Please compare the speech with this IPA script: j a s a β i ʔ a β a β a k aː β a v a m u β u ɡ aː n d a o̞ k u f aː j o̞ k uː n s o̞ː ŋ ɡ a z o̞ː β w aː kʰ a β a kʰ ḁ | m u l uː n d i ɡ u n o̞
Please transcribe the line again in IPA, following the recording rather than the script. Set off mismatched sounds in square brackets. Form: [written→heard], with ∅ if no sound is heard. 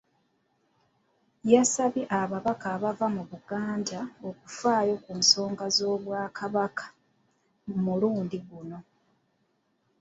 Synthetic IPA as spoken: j a s a β i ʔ a β a β a k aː β a v a m u β u ɡ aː n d a o̞ k u f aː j o̞ k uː n s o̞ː ŋ ɡ a z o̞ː β w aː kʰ a β a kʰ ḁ | m u l uː n d i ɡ u n o̞